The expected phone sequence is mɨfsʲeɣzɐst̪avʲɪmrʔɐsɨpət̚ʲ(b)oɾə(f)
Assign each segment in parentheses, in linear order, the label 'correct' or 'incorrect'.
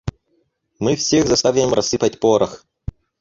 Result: incorrect, incorrect

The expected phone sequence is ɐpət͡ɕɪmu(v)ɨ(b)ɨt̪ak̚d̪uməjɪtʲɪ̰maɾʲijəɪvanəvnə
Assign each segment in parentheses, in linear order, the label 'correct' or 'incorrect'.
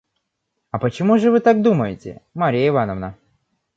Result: incorrect, incorrect

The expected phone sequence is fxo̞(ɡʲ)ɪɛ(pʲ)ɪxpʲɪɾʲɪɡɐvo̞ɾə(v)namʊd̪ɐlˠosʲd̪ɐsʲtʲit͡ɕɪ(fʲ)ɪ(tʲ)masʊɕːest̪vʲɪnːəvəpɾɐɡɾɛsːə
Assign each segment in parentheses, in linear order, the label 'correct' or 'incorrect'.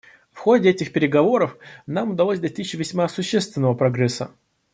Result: incorrect, incorrect, incorrect, incorrect, incorrect

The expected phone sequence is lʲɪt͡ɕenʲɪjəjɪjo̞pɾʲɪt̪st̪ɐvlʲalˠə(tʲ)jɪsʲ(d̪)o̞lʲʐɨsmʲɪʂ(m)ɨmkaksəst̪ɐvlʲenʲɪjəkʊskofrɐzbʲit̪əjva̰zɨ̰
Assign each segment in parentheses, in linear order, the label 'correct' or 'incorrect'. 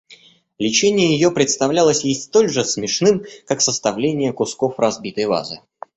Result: incorrect, incorrect, incorrect

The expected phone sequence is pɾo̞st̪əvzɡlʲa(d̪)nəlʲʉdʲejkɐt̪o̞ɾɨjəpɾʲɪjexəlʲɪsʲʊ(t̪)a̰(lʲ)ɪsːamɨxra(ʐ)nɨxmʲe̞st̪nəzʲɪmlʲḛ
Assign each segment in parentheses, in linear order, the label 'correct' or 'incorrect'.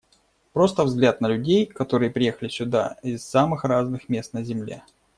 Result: incorrect, incorrect, incorrect, incorrect

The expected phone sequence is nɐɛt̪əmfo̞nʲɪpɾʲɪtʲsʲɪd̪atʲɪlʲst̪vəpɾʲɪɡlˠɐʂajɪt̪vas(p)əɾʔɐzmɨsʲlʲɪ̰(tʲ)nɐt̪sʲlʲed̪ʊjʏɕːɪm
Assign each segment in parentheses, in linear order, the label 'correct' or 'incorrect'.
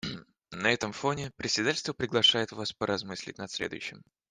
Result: correct, correct

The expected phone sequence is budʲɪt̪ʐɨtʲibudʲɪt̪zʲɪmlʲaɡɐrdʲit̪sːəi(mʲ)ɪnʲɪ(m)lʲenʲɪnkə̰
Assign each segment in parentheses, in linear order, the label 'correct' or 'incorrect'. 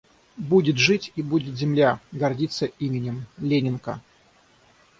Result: correct, correct

